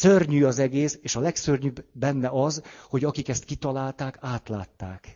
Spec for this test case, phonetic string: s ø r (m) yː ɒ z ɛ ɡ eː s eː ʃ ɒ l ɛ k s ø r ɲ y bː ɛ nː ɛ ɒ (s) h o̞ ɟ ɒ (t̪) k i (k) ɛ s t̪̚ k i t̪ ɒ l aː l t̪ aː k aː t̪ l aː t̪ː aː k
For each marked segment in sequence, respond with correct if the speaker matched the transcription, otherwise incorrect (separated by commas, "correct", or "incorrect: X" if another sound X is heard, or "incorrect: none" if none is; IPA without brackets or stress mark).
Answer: incorrect: ɲ, incorrect: z, incorrect: none, correct